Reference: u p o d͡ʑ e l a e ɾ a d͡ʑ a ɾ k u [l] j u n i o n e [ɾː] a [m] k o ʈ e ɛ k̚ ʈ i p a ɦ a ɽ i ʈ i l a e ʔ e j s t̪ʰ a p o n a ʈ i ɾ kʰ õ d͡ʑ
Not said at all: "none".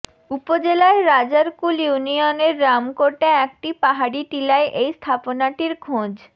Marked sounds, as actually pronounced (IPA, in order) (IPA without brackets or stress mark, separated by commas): l, ɾː, m